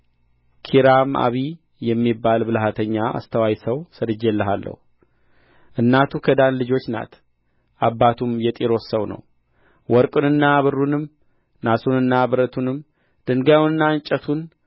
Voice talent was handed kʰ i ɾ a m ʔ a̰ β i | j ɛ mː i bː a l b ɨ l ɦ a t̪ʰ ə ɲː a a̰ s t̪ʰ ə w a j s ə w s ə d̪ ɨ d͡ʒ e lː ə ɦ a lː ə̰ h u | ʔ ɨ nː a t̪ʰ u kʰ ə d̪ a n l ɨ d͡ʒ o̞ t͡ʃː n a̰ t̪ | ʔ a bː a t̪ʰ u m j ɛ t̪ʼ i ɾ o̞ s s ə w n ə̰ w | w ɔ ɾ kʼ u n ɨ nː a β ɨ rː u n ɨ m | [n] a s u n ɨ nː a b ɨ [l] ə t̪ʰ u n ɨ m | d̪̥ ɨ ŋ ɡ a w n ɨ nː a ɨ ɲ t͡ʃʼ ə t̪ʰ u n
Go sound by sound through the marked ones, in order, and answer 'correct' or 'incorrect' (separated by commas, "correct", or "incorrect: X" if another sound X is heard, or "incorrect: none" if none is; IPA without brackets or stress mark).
correct, incorrect: ɾ